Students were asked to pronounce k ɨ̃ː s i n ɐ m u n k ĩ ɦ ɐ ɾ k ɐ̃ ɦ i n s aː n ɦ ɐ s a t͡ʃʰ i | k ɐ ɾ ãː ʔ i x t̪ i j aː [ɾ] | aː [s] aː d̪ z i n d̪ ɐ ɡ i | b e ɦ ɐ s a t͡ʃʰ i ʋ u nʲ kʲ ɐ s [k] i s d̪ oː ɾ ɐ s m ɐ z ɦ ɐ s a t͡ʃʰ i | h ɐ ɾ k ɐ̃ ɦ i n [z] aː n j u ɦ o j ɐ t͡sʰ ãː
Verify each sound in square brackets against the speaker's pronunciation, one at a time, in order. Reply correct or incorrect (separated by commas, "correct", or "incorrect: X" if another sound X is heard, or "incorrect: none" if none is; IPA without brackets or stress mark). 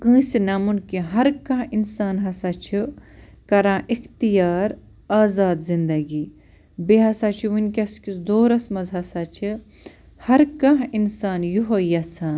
correct, incorrect: z, correct, incorrect: s